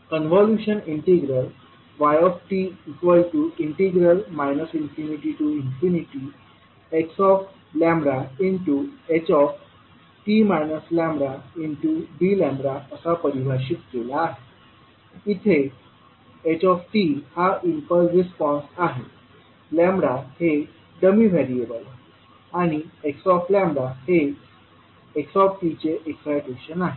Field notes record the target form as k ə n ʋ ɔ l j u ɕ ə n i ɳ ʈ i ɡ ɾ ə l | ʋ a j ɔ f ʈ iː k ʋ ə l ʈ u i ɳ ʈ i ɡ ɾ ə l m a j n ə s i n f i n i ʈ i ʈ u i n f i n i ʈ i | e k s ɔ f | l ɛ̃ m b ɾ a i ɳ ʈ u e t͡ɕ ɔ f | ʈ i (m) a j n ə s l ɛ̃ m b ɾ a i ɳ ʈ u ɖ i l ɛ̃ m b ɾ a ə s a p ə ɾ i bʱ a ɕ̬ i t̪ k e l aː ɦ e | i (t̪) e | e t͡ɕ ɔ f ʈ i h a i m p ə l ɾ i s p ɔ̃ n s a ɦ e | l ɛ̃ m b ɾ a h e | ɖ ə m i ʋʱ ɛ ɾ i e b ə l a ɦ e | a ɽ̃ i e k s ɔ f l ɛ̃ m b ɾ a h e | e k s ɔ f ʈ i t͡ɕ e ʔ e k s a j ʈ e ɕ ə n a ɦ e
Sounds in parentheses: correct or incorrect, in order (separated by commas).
correct, incorrect